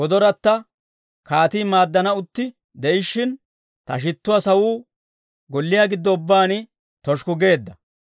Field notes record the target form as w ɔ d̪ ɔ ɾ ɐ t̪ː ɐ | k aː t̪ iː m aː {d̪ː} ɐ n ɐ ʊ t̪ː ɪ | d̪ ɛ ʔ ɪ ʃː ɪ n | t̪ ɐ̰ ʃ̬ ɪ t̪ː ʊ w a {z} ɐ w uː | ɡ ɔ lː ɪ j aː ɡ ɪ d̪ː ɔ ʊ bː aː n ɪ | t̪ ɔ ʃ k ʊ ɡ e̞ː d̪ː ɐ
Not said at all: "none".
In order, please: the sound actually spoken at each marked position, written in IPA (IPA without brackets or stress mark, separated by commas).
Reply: d̪ː, s